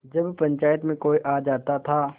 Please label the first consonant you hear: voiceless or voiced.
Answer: voiced